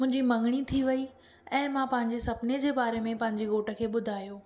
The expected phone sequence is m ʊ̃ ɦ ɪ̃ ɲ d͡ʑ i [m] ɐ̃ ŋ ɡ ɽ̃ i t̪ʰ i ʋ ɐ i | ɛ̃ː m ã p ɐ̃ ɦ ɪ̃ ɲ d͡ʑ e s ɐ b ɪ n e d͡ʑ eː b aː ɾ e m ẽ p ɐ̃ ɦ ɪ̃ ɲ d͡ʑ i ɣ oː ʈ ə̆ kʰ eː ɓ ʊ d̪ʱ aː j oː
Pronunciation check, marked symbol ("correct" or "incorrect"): correct